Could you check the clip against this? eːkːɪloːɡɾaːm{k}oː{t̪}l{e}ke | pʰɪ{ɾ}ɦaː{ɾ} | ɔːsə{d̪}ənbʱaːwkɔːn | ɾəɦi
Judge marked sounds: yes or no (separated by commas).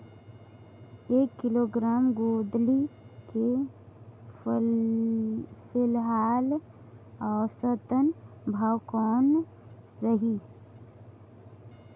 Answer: no, no, no, no, no, no